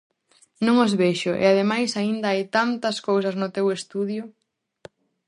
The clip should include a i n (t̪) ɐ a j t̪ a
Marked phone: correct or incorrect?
incorrect